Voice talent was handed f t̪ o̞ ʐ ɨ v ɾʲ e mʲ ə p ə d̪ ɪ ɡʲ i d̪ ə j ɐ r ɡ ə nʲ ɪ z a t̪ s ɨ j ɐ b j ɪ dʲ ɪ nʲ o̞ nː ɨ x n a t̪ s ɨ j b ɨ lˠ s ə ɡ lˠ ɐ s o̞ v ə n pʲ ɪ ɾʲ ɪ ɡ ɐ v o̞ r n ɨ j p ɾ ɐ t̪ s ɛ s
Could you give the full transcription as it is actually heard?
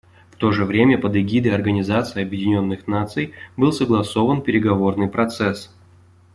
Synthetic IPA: f t̪ o̞ ʐ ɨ v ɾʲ e mʲ ə p ə d̪ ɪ ɡʲ i d̪ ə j ɐ r ɡ ə nʲ ɪ z a t̪ s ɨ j ɐ b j ɪ dʲ ɪ nʲ o̞ nː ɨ x n a t̪ s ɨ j b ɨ lˠ s ə ɡ lˠ ɐ s o̞ v ə n pʲ ɪ ɾʲ ɪ ɡ ɐ v o̞ r n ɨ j p ɾ ɐ t̪ s ɛ s